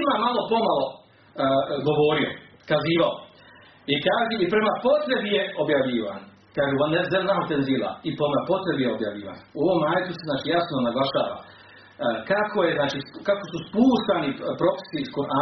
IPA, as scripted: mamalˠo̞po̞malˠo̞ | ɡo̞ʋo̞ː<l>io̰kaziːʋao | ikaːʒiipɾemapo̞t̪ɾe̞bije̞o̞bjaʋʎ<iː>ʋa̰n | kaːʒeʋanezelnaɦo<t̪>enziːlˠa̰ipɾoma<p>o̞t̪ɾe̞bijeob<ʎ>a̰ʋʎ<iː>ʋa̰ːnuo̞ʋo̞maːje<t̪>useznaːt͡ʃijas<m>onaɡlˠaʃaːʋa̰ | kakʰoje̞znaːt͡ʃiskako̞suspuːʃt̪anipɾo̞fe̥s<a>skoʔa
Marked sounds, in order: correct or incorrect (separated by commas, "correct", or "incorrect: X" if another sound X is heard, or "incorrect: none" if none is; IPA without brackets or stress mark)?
incorrect: ɾ, correct, correct, correct, incorrect: j, correct, correct, incorrect: n, incorrect: i